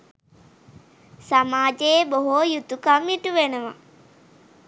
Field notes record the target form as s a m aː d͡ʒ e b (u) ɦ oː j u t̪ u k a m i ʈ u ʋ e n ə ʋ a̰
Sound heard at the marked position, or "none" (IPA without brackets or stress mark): o